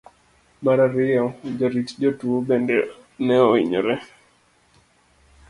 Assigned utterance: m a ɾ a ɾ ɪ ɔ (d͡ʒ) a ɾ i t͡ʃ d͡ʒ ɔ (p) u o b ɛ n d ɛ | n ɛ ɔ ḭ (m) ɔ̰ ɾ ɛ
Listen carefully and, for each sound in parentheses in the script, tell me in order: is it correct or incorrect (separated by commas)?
correct, incorrect, incorrect